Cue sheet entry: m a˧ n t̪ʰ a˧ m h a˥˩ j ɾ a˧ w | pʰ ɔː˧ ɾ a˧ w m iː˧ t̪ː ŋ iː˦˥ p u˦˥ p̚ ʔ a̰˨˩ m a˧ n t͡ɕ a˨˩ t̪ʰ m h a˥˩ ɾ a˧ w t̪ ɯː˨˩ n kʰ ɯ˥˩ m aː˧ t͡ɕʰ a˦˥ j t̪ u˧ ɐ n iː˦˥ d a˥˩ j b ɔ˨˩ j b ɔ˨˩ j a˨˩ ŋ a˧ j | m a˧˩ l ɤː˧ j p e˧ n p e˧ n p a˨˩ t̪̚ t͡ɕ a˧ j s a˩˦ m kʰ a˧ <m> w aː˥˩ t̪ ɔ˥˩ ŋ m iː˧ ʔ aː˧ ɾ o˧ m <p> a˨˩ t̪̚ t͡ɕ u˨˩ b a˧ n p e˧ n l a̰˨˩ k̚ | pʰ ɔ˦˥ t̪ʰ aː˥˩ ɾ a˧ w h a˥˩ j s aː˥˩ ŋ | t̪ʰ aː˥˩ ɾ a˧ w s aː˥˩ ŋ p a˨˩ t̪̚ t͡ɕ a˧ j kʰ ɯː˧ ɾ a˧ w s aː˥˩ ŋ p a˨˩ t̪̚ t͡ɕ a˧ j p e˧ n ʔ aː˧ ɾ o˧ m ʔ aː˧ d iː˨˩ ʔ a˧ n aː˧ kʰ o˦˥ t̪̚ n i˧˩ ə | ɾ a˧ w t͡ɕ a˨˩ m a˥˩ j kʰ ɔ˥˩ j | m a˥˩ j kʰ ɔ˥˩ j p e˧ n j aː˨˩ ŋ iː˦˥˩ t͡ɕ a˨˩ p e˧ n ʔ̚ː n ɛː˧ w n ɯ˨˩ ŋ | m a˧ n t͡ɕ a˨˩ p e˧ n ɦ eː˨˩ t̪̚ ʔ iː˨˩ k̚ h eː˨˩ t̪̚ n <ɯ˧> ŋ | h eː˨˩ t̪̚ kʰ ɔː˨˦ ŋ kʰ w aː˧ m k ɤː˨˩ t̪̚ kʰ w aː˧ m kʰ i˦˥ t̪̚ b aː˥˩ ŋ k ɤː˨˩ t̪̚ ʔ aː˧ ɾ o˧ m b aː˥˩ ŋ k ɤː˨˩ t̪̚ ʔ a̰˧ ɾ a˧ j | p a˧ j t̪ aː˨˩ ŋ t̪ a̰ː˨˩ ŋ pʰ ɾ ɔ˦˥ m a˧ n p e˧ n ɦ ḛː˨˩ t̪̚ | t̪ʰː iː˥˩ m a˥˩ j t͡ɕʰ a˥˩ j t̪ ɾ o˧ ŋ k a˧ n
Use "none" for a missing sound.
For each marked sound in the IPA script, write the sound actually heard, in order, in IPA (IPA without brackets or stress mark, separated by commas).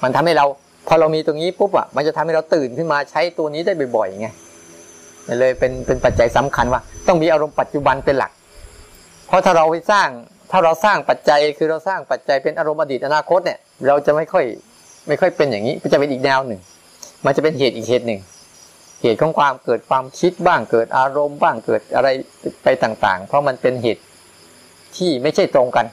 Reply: n, p, ɯ˨˩